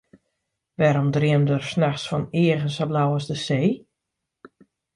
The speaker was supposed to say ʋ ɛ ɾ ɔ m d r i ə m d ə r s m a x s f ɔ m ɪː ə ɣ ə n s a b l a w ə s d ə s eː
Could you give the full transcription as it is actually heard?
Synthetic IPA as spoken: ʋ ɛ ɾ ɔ m d r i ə m d ə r s n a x s f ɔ n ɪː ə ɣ ə n s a b l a w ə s d ə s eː